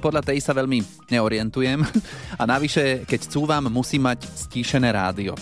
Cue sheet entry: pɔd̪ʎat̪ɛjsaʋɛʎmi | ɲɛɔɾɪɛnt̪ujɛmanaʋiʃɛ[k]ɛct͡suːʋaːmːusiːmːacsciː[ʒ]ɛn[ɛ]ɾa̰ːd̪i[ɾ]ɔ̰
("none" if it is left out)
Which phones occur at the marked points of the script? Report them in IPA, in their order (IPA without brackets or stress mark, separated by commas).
k, ʃ, ɛː, none